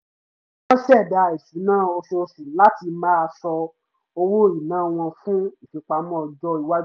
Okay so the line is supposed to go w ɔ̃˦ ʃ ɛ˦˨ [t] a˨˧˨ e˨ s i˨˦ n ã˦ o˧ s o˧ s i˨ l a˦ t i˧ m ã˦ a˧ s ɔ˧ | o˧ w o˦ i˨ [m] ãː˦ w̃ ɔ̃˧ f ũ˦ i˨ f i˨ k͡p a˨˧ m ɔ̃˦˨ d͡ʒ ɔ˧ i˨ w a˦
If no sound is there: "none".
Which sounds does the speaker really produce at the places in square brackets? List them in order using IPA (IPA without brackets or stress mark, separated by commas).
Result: d, n